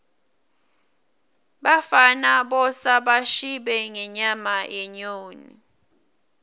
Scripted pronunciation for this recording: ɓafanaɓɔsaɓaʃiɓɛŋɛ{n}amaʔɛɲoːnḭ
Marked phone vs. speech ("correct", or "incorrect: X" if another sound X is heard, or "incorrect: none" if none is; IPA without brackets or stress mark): incorrect: ɲ